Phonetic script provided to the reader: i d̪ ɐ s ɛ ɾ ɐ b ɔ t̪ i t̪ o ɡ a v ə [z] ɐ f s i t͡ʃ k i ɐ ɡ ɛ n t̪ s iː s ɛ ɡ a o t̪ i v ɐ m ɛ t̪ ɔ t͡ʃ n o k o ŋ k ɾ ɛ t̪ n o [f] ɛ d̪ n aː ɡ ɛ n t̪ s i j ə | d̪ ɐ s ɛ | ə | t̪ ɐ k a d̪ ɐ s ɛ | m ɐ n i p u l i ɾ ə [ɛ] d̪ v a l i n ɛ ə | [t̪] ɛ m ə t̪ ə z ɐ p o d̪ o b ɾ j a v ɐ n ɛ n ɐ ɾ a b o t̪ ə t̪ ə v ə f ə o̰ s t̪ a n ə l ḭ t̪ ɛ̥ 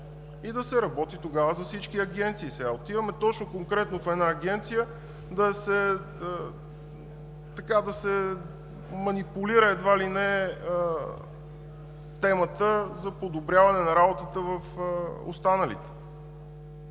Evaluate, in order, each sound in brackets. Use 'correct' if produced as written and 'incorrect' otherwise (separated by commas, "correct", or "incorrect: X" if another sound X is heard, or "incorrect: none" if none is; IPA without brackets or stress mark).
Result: correct, correct, correct, correct